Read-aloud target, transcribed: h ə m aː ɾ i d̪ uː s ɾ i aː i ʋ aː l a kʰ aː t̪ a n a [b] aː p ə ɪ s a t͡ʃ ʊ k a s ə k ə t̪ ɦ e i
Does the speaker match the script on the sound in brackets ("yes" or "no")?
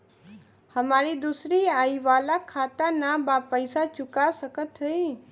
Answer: yes